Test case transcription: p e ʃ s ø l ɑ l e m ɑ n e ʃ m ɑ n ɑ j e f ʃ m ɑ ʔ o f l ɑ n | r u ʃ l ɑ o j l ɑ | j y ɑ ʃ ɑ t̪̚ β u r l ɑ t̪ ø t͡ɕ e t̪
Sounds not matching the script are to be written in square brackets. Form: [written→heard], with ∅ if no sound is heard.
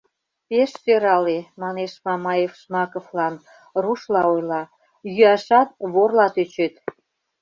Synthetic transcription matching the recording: p e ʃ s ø [l→ɾ] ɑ l e m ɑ n e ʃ m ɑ [n→m] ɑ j e f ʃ m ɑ [ʔ→k] o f l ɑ n | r u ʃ l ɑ o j l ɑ | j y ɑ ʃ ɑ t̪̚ β [u→o] r l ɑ t̪ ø t͡ɕ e t̪